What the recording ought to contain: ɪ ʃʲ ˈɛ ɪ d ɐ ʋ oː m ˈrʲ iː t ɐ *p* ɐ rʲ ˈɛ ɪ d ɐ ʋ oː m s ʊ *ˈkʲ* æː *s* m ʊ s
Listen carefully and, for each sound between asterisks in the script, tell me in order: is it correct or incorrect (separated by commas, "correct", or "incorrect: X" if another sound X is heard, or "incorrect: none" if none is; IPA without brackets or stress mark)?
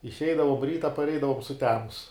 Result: correct, incorrect: tʲ, incorrect: none